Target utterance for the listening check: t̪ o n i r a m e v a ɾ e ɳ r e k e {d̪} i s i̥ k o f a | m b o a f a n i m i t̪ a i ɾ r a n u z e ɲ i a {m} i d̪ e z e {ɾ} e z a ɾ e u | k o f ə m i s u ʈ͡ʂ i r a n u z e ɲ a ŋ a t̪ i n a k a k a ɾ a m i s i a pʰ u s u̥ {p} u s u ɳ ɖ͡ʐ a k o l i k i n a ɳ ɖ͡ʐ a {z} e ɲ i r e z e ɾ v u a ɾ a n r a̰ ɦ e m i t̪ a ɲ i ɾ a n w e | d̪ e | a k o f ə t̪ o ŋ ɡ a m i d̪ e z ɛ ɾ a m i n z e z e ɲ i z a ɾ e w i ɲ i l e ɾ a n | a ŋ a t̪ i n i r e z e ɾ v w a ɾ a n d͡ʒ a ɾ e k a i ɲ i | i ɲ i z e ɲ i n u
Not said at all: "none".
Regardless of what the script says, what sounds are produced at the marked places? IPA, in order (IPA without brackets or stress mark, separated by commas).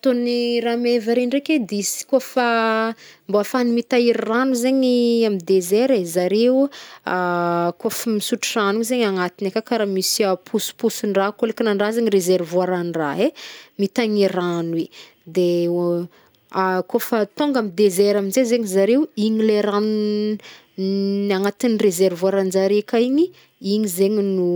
d̪, m, ɾ, p, z